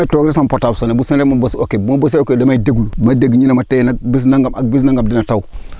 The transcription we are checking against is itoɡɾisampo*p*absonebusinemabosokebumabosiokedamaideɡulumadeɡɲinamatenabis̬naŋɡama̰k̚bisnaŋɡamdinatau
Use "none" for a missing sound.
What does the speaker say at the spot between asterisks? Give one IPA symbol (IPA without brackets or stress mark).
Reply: t